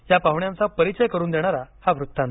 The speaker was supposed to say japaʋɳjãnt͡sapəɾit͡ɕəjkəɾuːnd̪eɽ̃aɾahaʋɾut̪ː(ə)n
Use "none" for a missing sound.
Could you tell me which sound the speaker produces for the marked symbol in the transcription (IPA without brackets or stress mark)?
a